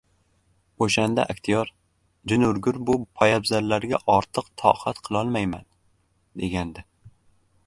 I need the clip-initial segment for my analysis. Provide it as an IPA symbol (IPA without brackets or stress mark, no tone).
o